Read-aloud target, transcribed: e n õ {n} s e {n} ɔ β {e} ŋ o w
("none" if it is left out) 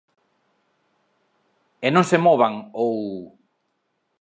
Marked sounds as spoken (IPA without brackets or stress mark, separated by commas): ŋ, m, a